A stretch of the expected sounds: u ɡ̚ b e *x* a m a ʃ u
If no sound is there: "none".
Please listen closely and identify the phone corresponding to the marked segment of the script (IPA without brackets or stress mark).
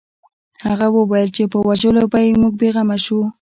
ɣ